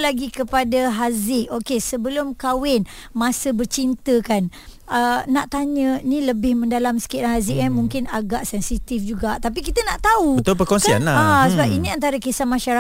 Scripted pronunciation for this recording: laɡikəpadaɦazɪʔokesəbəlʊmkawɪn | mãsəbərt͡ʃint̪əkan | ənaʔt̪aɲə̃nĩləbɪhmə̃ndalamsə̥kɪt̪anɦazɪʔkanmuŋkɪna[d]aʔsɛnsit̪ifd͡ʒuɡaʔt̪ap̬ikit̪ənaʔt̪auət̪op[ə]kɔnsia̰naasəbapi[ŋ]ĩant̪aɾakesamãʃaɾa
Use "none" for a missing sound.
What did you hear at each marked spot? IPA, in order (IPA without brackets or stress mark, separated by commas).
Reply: ɡ, ə, n